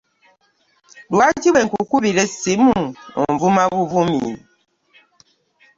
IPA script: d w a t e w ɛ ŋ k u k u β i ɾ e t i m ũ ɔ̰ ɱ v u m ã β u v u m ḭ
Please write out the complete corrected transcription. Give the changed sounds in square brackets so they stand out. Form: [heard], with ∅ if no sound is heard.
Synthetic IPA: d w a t [i] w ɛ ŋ k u k u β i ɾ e [s] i m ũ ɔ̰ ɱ v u m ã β u v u m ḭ